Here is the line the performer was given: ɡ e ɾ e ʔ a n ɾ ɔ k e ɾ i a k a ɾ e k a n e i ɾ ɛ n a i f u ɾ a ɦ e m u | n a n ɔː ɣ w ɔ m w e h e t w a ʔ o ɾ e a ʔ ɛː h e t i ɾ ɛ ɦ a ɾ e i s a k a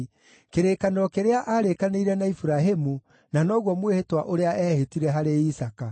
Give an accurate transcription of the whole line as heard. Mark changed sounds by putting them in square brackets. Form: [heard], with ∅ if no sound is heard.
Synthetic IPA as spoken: [k] e ɾ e [k] a n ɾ ɔ k e ɾ [e] a [ʔ] a ɾ e k a n e i ɾ ɛ n a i f u ɾ a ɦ e m u | n a n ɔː ɣ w ɔ m w e h e t w a ʔ o ɾ e a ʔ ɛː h e t i ɾ ɛ ɦ a ɾ e i s a k a